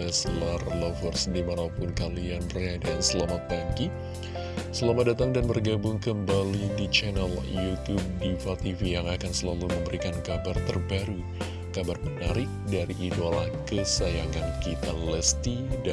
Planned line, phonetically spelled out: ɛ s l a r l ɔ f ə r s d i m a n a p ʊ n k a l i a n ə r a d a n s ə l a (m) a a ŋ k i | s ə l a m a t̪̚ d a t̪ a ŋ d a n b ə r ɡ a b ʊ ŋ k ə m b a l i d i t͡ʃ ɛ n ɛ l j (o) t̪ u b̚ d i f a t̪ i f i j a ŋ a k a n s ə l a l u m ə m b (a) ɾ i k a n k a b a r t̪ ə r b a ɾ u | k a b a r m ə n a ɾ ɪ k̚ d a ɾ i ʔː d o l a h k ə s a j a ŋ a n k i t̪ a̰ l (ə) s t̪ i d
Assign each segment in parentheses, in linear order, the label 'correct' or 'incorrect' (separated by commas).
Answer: correct, incorrect, incorrect, correct